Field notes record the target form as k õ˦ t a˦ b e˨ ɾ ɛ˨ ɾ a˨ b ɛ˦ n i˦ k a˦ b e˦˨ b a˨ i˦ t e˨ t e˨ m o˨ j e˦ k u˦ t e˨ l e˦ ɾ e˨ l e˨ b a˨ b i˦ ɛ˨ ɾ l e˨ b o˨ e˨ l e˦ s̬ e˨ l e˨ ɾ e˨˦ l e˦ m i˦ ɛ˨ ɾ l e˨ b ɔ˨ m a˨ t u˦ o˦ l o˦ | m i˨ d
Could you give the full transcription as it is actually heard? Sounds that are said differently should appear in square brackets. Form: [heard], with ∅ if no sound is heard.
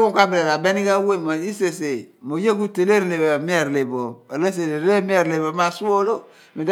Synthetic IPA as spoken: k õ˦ [k] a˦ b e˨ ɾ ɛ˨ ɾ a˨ b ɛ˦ n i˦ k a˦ [w] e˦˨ [m] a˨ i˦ [s] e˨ [s] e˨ m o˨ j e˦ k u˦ t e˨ l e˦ ɾ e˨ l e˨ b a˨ [m] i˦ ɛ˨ ɾ l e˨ b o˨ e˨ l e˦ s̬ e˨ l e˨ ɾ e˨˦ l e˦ m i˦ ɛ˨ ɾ l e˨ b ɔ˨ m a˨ [s] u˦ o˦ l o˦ | m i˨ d